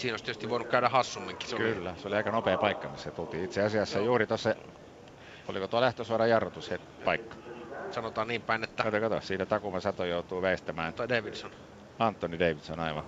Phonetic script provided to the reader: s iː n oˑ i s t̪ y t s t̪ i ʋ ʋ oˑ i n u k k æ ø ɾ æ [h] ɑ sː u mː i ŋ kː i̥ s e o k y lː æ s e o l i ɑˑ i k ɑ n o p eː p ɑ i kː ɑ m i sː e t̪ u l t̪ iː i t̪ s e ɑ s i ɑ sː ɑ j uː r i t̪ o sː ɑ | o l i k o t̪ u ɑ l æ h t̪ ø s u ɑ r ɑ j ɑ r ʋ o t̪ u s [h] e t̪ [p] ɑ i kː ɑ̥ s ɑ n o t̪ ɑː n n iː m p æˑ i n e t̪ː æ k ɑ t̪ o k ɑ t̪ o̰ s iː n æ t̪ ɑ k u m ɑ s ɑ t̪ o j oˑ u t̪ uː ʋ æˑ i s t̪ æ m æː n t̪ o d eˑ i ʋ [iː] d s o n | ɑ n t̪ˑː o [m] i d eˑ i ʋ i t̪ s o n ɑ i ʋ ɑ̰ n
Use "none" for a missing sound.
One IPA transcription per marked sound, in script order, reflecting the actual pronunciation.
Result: h, h, p, i, n

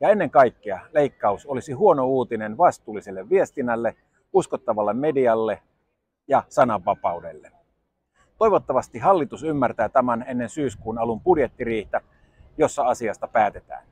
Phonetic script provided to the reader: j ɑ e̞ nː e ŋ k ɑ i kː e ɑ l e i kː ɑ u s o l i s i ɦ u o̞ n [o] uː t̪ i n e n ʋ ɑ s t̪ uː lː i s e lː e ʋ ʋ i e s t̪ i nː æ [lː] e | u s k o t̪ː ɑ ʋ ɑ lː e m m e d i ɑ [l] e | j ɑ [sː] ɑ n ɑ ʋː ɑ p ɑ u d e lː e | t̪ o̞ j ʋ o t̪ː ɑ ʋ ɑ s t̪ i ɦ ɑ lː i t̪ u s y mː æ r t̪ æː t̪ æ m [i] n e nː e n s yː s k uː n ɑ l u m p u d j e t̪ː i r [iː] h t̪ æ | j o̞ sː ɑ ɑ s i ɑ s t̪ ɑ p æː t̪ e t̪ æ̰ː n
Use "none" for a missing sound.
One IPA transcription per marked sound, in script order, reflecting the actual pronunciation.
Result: o, lː, lː, s, æ, iː

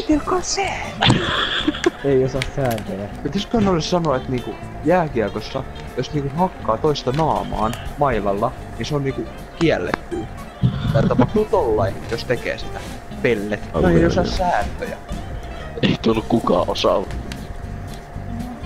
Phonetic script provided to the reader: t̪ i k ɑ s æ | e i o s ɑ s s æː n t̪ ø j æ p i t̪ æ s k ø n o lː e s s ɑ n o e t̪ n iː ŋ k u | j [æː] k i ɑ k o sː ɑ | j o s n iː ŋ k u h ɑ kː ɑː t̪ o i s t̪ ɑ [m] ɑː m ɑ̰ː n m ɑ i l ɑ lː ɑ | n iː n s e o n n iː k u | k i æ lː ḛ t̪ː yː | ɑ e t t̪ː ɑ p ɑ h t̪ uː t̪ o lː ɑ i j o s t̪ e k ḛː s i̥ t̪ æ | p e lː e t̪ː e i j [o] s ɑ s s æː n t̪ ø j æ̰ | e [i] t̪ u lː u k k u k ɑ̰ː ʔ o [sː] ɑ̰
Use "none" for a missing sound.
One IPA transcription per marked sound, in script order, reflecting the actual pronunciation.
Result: æː, n, o, i, s

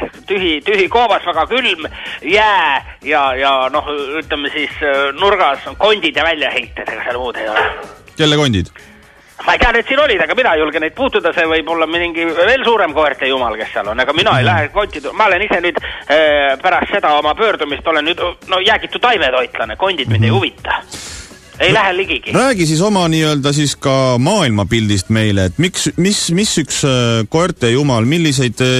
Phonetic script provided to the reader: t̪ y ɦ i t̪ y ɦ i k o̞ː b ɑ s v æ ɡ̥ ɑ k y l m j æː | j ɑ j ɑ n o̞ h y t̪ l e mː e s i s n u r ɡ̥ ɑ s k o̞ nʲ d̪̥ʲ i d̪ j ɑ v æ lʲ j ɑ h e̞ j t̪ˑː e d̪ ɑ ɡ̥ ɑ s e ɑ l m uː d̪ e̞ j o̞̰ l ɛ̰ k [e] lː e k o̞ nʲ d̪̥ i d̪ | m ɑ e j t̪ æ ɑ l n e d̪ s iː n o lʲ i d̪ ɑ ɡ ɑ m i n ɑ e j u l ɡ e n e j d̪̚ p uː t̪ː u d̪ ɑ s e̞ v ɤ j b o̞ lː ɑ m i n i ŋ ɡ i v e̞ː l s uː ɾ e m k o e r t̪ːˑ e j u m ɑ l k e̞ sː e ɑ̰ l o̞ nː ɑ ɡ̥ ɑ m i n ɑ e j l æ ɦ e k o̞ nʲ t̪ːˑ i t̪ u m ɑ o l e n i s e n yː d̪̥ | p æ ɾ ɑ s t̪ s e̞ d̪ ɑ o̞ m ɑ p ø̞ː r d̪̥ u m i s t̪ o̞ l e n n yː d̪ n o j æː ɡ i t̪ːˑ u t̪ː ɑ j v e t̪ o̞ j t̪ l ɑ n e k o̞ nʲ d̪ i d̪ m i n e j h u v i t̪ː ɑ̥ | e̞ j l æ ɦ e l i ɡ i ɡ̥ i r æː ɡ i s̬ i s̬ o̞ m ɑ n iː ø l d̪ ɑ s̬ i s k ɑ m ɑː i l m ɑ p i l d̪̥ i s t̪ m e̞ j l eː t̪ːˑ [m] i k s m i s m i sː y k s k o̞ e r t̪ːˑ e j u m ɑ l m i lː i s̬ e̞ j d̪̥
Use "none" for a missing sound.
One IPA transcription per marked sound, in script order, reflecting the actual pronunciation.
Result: e, m

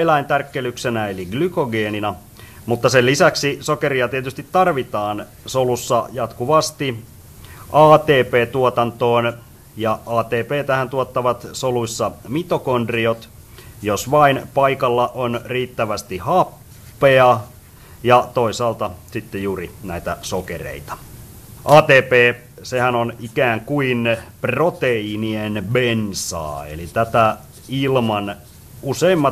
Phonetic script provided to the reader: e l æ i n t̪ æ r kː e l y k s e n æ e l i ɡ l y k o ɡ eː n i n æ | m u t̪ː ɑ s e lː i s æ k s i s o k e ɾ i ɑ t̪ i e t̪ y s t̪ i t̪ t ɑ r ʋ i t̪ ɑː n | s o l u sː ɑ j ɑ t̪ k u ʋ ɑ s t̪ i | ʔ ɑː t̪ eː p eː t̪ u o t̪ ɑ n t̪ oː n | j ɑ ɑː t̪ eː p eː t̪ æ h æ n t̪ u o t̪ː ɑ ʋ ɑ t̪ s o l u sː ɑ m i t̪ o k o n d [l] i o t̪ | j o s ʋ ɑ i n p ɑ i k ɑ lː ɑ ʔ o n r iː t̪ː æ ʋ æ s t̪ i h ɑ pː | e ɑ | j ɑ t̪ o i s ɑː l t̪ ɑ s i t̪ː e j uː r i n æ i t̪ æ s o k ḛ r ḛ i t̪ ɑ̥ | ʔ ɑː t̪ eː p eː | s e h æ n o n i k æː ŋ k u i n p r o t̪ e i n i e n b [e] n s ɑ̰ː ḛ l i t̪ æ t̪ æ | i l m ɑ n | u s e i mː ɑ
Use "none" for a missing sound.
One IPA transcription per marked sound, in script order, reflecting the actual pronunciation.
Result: r, e

